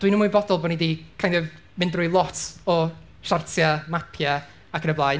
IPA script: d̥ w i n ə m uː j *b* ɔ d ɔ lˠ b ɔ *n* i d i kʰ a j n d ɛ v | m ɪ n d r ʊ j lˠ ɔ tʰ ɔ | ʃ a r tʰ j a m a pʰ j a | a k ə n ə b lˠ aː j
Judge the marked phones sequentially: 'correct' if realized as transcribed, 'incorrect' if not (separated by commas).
correct, correct